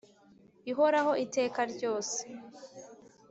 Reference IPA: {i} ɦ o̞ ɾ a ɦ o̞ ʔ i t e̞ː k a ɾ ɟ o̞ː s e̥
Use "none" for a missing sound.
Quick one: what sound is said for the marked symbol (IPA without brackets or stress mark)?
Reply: i